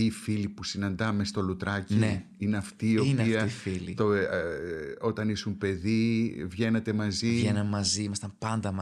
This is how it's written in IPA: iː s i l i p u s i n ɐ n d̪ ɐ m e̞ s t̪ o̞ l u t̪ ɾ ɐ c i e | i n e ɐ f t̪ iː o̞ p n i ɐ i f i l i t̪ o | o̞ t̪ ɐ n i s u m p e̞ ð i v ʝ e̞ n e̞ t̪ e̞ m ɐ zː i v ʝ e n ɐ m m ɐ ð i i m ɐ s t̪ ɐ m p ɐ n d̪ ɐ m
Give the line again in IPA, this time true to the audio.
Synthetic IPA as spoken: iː f i l i p u s i n ɐ n d̪ ɐ m e̞ s t̪ o̞ l u t̪ ɾ ɐ c i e | i n e ɐ f t̪ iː o̞ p n i ɐ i f i l i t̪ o | o̞ t̪ ɐ n i s u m p e̞ ð i v ʝ e̞ n e̞ t̪ e̞ m ɐ z i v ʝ e n ɐ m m ɐ z i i m ɐ s t̪ ɐ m p ɐ n d̪ ɐ m